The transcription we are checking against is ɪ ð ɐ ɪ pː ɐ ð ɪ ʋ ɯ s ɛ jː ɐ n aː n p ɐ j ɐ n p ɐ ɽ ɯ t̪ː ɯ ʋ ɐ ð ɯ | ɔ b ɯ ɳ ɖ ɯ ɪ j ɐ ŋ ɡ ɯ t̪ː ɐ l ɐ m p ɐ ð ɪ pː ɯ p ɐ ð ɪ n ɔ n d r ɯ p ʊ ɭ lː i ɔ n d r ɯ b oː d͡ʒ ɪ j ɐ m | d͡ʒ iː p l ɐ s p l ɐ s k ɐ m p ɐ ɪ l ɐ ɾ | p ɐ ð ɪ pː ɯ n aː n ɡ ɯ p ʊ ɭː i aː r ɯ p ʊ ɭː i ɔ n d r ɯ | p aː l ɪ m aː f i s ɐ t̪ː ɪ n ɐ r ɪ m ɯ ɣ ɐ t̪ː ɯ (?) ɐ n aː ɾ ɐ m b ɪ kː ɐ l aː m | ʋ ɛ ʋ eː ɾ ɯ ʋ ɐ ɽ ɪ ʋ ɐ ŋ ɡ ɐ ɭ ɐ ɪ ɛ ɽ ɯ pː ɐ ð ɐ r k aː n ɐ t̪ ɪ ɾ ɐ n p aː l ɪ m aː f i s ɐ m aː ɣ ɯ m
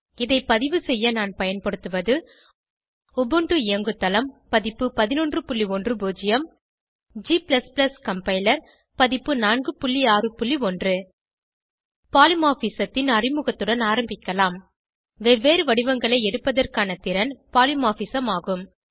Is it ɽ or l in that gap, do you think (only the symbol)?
ɽ